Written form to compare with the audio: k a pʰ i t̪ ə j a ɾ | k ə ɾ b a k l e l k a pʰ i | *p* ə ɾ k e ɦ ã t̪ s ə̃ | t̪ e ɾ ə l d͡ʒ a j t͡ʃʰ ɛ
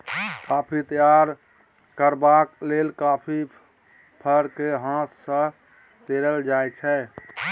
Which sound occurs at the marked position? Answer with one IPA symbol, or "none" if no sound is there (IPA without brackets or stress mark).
pʰ